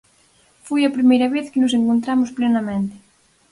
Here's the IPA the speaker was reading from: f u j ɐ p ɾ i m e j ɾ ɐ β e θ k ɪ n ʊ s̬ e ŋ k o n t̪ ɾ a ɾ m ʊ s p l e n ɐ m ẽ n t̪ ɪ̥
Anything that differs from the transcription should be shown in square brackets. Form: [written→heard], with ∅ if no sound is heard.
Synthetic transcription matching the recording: f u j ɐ p ɾ i m e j ɾ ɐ β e θ k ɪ n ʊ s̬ e ŋ k o n t̪ ɾ a [ɾ→∅] m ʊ s p l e n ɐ m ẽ n t̪ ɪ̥